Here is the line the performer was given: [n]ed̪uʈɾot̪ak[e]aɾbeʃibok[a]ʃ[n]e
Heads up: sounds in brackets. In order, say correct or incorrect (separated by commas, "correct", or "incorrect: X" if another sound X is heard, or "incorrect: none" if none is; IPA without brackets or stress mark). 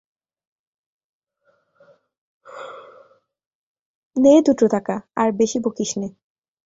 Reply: correct, incorrect: a, incorrect: i, correct